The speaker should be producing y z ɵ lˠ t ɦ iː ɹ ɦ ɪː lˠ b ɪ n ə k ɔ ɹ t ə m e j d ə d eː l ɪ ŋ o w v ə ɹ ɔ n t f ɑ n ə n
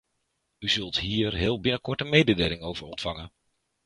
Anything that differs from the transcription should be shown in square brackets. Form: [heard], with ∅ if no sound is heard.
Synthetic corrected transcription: y z ɵ lˠ t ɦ iː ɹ ɦ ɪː lˠ b ɪ n ə k ɔ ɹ t ə m e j d ə d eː l ɪ ŋ o w v ə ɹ ɔ n t f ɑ [ŋ] ə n

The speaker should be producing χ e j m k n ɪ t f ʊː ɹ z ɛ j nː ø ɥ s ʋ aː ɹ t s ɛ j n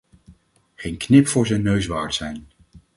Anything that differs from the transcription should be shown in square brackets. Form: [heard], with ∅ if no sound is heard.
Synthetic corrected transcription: χ e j [n] k n ɪ [p] f ʊː ɹ z ɛ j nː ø ɥ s ʋ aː ɹ t s ɛ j n

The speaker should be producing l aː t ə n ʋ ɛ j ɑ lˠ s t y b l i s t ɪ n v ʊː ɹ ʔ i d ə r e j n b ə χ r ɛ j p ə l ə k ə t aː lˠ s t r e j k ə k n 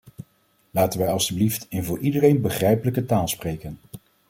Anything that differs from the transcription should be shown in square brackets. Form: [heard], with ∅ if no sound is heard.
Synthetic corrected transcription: l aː t ə n ʋ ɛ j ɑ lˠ s t y b l i [f] t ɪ n v ʊː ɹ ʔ i d ə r e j n b ə χ r ɛ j p ə l ə k ə t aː lˠ s [p] r e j k ə [∅] n

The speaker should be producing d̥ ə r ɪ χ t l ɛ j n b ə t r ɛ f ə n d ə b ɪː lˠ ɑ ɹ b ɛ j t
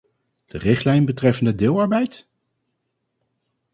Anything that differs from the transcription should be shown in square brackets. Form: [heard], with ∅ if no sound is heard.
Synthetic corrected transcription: d̥ ə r ɪ χ t l ɛ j n b ə t r ɛ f ə n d ə [d] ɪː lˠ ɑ ɹ b ɛ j t

